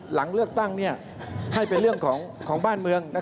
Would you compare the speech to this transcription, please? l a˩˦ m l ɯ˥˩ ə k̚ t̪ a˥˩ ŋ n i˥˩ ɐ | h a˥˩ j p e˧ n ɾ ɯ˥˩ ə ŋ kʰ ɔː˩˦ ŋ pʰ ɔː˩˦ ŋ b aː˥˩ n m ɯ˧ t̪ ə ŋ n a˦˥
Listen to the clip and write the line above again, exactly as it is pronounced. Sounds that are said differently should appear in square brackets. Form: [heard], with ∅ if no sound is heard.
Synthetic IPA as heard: l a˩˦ [ŋ] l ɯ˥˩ ə k̚ t̪ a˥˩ ŋ n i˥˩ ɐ | h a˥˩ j p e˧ n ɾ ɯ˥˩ ə ŋ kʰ ɔː˩˦ ŋ [kʰ] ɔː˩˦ ŋ b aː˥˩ n m ɯ˧ [∅] ə ŋ n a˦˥